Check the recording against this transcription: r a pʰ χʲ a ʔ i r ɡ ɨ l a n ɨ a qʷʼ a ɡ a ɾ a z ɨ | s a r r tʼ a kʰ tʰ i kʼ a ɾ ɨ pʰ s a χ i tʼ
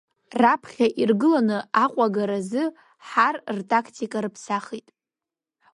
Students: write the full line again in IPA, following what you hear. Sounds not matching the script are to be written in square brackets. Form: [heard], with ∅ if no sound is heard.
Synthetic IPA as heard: r a pʰ χʲ a ʔ i r ɡ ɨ l a n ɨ a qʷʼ a ɡ a ɾ a z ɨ | [ħ] a r r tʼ a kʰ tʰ i kʼ a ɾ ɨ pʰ s a χ i tʼ